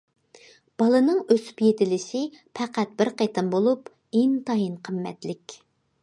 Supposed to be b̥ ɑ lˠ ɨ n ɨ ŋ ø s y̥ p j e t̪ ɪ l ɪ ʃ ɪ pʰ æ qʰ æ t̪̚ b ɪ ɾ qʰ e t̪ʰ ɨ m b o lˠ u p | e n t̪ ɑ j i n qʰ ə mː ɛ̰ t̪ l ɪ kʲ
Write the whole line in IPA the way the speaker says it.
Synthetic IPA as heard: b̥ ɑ lˠ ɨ n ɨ ŋ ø s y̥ p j e t̪ ɪ l ɪ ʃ ɪ pʰ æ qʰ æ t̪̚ b ɪ ɾ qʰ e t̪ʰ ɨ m b o lˠ u p | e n t̪ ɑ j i n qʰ ə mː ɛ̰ t̪ l ɪ kʲ

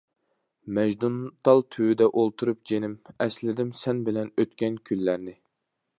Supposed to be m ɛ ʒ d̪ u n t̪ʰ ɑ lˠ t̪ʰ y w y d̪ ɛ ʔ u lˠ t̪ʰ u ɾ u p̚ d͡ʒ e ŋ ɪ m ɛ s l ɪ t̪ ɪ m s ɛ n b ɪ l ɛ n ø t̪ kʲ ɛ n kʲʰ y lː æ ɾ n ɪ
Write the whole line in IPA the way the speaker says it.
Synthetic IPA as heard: m ɛ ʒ d̪ u n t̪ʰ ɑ lˠ t̪ʰ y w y d̪ ɛ ʔ o lˠ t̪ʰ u ɾ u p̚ d͡ʒ e n ɪ m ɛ s l ɪ d̪ ɪ m s ɛ n b ɪ l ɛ n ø t̪ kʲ ɛ n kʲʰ y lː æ ɾ n ɪ

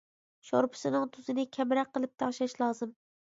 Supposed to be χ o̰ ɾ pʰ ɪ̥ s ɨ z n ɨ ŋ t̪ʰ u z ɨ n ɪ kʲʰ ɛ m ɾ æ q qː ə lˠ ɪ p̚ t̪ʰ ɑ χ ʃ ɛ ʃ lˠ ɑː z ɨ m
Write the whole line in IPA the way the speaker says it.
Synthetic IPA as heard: ʃ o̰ ɾ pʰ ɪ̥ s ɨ n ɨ ŋ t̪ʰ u z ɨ n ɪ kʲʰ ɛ m ɾ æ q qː ə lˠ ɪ p̚ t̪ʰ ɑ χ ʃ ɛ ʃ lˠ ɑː z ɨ m

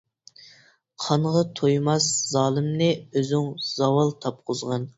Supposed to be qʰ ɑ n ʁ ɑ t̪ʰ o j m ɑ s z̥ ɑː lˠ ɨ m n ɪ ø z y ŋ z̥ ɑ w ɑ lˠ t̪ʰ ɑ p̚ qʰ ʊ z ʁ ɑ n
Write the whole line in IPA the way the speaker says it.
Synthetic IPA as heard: qʰ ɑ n ʁ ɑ t̪ʰ o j m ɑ s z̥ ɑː lˠ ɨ m n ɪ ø z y ŋ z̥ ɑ w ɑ lˠ t̪ʰ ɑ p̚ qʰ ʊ z ʁ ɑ n

